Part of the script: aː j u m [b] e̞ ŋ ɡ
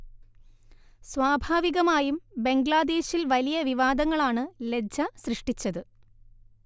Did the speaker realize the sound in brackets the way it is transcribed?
yes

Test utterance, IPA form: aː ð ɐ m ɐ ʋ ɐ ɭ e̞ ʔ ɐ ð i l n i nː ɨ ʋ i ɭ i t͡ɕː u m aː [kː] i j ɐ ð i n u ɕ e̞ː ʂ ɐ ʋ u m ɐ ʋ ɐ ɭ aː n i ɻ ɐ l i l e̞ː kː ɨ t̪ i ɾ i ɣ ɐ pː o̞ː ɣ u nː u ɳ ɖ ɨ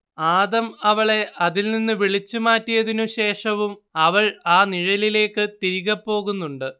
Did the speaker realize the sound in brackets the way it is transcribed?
no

